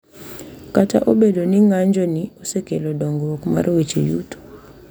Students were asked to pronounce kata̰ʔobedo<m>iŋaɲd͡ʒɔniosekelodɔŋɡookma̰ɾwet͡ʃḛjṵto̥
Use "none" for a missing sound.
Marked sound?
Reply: n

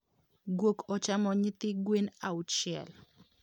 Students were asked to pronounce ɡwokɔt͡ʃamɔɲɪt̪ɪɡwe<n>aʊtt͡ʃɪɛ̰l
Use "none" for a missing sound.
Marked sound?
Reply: n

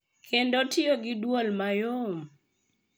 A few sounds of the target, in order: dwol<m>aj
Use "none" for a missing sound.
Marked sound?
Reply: m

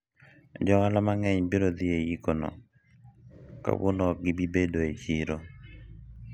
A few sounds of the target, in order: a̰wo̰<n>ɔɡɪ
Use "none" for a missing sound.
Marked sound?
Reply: n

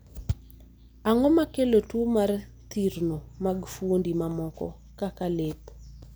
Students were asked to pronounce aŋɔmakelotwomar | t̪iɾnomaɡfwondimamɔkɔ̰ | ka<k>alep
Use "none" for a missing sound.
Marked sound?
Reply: k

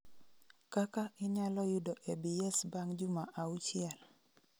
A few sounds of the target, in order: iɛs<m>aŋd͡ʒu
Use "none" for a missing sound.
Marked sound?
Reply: b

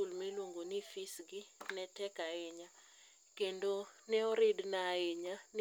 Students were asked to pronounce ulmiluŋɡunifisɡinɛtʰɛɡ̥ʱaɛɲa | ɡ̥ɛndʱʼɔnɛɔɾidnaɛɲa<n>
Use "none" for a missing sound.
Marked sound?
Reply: n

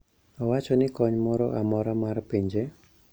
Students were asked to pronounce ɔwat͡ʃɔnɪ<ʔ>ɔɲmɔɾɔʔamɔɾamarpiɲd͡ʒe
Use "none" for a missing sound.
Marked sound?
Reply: k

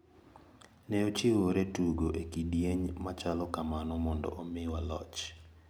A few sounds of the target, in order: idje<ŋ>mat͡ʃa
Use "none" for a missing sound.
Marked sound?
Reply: ɲ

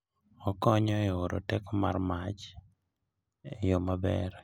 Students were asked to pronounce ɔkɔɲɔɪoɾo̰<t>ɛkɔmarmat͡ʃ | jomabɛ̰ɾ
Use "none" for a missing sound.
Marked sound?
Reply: t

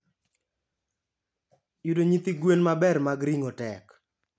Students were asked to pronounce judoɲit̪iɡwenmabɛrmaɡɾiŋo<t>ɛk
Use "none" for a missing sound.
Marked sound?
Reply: t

